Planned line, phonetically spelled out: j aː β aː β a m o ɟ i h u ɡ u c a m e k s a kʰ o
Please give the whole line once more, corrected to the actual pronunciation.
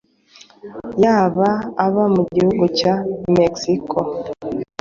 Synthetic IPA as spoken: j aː β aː β a m u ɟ i h u ɡ u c a m e k s i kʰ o